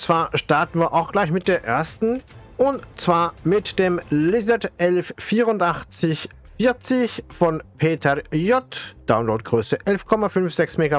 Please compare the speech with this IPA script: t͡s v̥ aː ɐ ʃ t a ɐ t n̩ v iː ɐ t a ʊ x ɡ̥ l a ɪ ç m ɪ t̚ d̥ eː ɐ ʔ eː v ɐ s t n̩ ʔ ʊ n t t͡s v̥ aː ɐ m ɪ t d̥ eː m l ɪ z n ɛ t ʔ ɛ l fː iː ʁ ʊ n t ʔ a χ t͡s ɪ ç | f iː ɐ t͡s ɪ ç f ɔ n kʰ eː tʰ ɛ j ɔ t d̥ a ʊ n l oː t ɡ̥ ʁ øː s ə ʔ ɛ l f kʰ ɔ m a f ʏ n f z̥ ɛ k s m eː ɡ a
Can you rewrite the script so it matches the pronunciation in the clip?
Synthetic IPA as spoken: t͡s v̥ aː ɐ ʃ t a ɐ t n̩ v iː ɐ ʔ a ʊ x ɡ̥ l a ɪ ç m ɪ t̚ d̥ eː ɐ ʔ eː ɐ s t n̩ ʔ ʊ n t t͡s v̥ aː ɐ m ɪ t d̥ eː m l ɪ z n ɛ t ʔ ɛ l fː iː ʁ ʊ n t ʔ a χ t͡s ɪ ç | f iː ɐ t͡s ɪ ç f ɔ n pʰ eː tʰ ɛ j ɔ t d̥ a ʊ n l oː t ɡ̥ ʁ øː s ə ʔ ɛ l f kʰ ɔ m a f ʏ n f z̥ ɛ k s m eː ɡ a